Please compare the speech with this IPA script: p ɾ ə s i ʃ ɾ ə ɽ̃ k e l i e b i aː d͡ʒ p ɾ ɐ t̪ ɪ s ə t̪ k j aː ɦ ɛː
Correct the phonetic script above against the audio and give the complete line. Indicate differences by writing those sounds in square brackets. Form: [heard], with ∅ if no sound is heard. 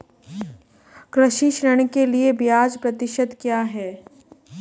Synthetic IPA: [k] ɾ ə [ʃ] i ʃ ɾ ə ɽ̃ k e l i e b [j] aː d͡ʒ p ɾ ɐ t̪ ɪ [ʃ] ə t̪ k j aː ɦ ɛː